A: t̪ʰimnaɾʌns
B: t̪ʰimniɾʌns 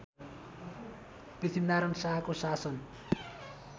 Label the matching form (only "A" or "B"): A